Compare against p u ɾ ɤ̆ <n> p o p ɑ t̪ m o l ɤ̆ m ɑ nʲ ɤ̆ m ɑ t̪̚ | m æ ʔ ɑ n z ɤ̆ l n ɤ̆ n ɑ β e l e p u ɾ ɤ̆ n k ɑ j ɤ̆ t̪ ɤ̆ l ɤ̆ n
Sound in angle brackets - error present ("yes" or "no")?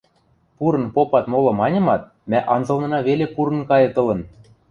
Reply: no